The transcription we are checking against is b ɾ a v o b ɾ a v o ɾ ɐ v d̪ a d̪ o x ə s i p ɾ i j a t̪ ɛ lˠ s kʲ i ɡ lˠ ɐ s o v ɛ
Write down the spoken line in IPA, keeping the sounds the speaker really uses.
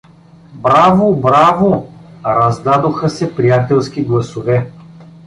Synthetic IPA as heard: b ɾ a v o b ɾ a v o ɾ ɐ z d̪ a d̪ o x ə s ɛ p ɾ i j a t̪ ɛ lˠ s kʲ i ɡ lˠ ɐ s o v ɛ

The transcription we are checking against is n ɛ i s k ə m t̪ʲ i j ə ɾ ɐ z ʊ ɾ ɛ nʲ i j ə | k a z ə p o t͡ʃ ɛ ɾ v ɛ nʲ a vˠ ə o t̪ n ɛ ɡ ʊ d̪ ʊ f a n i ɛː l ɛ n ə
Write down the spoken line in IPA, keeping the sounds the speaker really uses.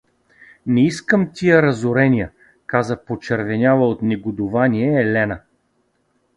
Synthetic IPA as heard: n ɛ i s k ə m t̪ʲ i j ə ɾ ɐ z ʊ ɾ ɛ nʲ i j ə | k a z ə p o t͡ʃ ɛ ɾ v ɛ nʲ a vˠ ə o t̪ n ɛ ɡ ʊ d̪ ʊ v a n i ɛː l ɛ n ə

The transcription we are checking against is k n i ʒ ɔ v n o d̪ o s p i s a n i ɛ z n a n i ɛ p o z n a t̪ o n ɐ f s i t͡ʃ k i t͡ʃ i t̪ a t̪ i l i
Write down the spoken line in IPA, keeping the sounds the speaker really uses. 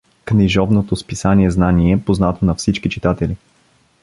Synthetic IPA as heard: k n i ʒ ɔ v n o t̪ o s p i s a n i ɛ z n a n i ɛ p o z n a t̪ o n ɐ f s i t͡ʃ k i t͡ʃ i t̪ a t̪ ɛ l i

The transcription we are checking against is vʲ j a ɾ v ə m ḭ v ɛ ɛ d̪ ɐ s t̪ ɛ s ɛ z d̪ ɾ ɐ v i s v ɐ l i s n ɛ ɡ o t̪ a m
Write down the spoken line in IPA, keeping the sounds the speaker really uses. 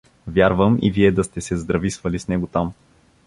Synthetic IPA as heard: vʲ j a ɾ v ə m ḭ v i ɛ d̪ ɐ s t̪ ɛ s ɛ z d̪ ɾ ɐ v i s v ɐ l i s n ɛ ɡ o t̪ a m

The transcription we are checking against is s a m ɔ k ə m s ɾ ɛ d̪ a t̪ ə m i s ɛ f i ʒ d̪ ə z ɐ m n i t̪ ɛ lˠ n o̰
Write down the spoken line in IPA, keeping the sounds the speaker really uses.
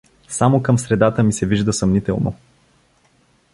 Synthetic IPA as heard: s a m o k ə m s ɾ ɛ d̪ a t̪ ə m i s ɛ v i ʒ d̪ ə s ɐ m n i t̪ ɛ lˠ n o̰

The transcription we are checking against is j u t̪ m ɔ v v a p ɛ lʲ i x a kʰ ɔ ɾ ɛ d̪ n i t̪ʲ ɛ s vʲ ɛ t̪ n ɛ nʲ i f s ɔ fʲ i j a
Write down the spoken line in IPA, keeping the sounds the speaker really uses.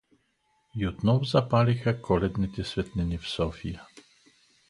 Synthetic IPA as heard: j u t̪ n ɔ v z a p a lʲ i x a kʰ ɔ l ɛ d̪ n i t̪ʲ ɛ s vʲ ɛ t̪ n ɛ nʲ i f s ɔ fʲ i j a

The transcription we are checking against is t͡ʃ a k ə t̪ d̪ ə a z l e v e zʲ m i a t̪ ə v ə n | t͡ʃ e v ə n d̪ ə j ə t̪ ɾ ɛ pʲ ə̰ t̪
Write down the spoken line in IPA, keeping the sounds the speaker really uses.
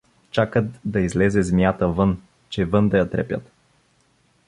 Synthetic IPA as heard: t͡ʃ a k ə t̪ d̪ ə i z l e z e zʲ m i a t̪ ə v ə n | t͡ʃ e v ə n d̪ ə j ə t̪ ɾ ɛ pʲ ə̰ t̪

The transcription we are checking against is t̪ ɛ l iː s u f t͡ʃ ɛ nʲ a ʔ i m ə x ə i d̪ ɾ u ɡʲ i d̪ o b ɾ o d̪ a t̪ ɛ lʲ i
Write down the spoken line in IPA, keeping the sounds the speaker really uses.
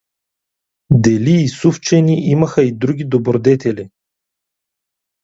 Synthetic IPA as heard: d̪ ɛ l iː s u f t͡ʃ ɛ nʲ i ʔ i m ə x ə i d̪ ɾ u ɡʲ i d̪ o b ɾ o d̪ ɛ t̪ ɛ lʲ i

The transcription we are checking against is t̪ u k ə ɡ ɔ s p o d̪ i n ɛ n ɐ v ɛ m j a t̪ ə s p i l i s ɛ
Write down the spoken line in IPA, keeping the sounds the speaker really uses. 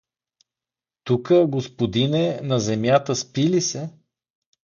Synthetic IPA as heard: t̪ u k ə ɡ o s p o d̪ i n ɛ n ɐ z ɛ m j a t̪ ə s p i l i s ɛ

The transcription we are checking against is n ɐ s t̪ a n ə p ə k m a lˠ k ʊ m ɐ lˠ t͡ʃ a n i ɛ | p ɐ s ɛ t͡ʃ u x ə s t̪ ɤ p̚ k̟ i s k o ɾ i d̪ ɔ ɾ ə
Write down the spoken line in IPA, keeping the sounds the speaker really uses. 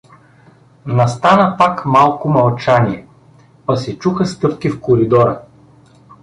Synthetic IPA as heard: n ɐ s t̪ a n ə p a k m a lˠ k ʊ m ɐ lˠ t͡ʃ a n i ɛ | p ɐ s ɛ t͡ʃ u x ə s t̪ ɤ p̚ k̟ i f k o ɾ i d̪ ɔ ɾ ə

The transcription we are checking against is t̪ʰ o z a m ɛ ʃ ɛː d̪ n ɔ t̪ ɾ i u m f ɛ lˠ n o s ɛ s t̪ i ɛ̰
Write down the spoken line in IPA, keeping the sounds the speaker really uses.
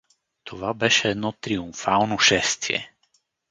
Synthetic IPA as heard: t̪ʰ o v a b ɛ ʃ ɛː d̪ n ɔ t̪ ɾ i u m f a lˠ n o ʃ ɛ s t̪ i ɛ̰

